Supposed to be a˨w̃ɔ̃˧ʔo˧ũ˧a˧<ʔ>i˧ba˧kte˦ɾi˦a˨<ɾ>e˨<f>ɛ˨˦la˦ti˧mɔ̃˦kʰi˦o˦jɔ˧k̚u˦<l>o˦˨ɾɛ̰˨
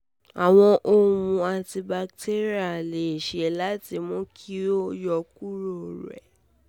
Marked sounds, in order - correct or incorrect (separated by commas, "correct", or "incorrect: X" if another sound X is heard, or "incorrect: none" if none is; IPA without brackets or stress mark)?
incorrect: t, incorrect: l, incorrect: ʃ, incorrect: ɾ